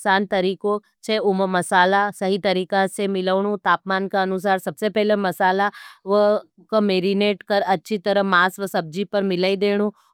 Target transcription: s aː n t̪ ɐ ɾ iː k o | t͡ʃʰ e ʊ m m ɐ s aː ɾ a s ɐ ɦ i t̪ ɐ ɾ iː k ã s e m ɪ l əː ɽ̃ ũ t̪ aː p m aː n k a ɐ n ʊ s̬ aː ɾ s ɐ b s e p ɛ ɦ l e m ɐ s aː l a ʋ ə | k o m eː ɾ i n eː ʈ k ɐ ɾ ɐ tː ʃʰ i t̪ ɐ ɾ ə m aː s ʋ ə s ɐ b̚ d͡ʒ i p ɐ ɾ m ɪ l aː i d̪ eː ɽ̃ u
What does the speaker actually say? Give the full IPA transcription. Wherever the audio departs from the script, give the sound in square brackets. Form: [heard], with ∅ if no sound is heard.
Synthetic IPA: s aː n t̪ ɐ ɾ iː k o | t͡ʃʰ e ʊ m m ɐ s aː [l] a s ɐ ɦ i t̪ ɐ ɾ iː k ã s e m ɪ l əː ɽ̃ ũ t̪ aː p m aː n k a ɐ n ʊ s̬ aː ɾ s ɐ b s e p ɛ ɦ l e m ɐ s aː l a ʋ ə | k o m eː ɾ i n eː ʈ k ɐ ɾ ɐ tː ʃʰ i t̪ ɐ ɾ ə m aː s ʋ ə s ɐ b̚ d͡ʒ i p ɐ ɾ m ɪ l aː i d̪ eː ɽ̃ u